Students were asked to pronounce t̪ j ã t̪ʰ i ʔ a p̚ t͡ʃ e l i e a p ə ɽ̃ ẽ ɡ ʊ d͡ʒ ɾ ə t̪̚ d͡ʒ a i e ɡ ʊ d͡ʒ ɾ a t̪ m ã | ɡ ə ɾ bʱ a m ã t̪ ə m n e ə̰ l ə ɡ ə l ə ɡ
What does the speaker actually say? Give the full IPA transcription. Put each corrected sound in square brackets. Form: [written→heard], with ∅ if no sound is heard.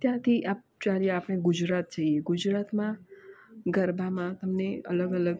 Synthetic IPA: t̪ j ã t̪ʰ i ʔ a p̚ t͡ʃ [e→a] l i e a p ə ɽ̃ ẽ ɡ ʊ d͡ʒ ɾ [ə→a] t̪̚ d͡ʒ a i e ɡ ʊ d͡ʒ ɾ a t̪ m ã | ɡ ə ɾ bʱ a m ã t̪ ə m n e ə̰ l ə ɡ ə l ə ɡ